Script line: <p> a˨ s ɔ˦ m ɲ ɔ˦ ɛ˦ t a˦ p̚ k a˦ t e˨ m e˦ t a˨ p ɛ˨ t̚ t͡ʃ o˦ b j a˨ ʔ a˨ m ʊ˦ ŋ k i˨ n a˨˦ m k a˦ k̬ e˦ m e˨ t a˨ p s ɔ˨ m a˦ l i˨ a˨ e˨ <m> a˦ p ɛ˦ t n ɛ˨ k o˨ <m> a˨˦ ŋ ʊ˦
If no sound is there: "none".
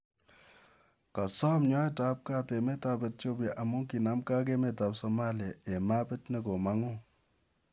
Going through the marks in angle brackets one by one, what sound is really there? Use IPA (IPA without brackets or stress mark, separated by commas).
k, m, m